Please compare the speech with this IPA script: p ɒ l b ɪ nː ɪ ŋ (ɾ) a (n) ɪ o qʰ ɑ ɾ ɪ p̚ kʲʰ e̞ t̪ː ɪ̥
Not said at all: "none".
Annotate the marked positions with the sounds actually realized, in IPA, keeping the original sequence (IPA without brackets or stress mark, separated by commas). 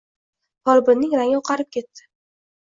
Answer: ɾ, ŋ